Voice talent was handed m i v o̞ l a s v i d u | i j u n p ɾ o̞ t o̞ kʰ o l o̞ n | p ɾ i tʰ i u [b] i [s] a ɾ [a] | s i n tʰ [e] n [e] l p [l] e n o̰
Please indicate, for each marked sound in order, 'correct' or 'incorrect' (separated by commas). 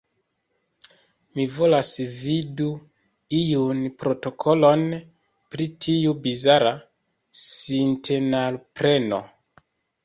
correct, incorrect, correct, correct, incorrect, incorrect